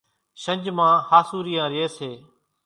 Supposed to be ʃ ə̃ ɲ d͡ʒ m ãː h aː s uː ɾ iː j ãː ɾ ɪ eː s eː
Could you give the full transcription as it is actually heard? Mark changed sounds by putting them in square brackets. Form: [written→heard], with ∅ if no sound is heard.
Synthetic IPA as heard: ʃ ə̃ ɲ d͡ʒ m ãː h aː s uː ɾ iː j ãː ɾ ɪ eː s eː